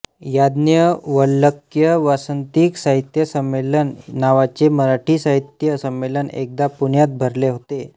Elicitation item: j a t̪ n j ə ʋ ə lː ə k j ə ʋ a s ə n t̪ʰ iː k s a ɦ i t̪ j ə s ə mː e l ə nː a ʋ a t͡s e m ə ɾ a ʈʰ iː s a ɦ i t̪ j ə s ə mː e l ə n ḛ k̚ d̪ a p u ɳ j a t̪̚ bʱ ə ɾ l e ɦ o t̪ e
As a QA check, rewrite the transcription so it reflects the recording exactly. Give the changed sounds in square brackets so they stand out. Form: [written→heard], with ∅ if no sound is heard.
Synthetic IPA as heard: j a [t̪→d̪] n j ə ʋ ə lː ə k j ə ʋ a s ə n [t̪ʰ→t̪] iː k s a ɦ i t̪ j ə s ə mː e l ə nː a ʋ a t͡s e m ə ɾ a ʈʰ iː s a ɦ i t̪ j ə s ə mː e l ə n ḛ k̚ d̪ a p u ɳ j a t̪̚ bʱ ə ɾ l e ɦ o t̪ e